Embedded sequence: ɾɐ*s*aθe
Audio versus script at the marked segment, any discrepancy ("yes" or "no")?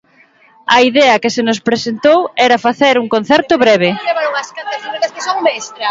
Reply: yes